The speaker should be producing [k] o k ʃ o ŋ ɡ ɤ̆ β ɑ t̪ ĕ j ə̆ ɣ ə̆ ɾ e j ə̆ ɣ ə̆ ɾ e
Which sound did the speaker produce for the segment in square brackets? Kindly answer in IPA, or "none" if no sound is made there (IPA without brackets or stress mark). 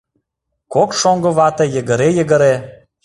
k